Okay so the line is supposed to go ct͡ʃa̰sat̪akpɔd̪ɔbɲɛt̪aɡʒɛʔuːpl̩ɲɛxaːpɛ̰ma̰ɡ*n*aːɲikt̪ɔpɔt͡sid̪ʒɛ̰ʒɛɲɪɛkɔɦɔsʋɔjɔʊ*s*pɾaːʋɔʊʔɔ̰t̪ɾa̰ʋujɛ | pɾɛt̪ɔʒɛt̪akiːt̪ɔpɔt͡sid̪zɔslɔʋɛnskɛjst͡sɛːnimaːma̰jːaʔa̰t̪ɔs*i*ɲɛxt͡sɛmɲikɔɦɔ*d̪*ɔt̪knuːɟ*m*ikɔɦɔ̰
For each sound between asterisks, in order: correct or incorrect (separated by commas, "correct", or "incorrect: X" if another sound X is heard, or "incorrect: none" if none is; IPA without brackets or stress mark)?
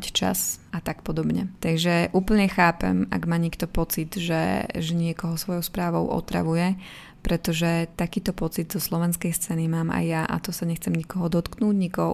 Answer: incorrect: m, correct, incorrect: a, correct, incorrect: ɲ